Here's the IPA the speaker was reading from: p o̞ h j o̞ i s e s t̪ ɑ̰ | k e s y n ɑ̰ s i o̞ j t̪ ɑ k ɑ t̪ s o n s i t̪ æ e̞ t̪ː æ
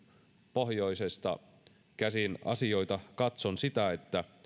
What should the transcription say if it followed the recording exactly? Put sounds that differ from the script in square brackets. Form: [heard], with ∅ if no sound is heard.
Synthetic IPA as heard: p o̞ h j o̞ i s e s t̪ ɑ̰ | k [æ] s [i] n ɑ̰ s i o̞ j t̪ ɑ k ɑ t̪ s o n s i t̪ æ e̞ t̪ː æ